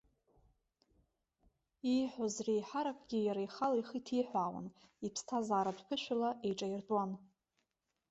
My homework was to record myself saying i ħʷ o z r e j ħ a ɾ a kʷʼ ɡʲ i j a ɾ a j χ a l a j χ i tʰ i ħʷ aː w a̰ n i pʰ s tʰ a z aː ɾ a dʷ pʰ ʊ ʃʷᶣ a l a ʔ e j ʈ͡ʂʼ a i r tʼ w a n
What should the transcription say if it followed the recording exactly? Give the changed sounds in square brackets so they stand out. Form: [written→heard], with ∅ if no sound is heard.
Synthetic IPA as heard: i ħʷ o z r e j ħ a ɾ a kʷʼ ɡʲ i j a ɾ a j χ a l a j χ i tʰ i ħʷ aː w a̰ n i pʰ s tʰ a z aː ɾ a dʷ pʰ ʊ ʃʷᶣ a l a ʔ e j ʈ͡ʂʼ a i r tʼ w a n